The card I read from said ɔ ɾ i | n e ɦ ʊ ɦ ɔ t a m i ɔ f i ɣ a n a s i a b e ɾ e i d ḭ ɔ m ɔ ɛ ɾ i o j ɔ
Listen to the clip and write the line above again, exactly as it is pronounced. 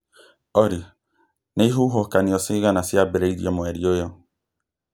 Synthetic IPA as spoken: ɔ ɾ i | n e ɦ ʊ ɦ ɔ k a n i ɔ s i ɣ a n a s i a b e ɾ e i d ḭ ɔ m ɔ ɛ ɾ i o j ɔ